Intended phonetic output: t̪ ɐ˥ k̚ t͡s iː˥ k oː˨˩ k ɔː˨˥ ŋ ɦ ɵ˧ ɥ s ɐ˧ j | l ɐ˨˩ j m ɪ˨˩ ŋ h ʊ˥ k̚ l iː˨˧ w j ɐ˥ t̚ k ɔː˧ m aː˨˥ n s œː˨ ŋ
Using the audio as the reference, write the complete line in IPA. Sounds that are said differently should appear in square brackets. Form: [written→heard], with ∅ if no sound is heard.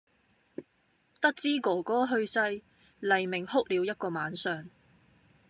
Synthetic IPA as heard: t̪ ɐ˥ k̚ t͡s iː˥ k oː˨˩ k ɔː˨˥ [ŋ→∅] ɦ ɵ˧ ɥ s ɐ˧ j | l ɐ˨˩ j m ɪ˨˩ ŋ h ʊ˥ k̚ l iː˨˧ w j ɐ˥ t̚ k ɔː˧ m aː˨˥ n s œː˨ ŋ